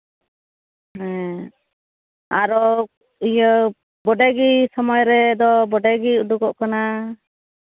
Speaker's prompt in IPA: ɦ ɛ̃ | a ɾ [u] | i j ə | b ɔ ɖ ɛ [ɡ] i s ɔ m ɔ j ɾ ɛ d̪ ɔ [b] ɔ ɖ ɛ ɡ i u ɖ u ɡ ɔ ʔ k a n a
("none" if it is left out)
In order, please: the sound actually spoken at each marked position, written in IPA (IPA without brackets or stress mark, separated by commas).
ɔ, ɡ, b